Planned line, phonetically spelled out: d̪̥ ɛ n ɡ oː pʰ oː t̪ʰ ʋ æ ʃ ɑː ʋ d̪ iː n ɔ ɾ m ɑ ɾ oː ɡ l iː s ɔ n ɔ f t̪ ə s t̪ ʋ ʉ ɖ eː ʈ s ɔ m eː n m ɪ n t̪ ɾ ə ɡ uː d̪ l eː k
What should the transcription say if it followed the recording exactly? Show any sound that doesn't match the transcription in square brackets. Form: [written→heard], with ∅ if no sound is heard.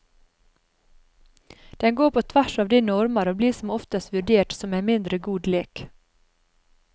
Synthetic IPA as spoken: d̪̥ ɛ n ɡ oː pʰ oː t̪ʰ ʋ æ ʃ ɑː ʋ d̪ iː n ɔ ɾ m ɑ ɾ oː [ɡ→b] l iː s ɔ [n→m] ɔ f t̪ ə s t̪ ʋ ʉ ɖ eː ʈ s ɔ m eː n m ɪ n [t̪→d̪] ɾ ə ɡ uː d̪ l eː k